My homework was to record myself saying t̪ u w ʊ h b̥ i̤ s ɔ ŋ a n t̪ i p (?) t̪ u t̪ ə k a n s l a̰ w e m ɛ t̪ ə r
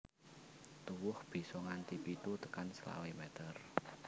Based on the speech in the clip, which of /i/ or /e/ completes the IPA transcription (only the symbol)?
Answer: i